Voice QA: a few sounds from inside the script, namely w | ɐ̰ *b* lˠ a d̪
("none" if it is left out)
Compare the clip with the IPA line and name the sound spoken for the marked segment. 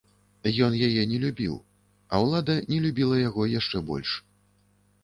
w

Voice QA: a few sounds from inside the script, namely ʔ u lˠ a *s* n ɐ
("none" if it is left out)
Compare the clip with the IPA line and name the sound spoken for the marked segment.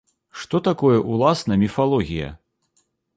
s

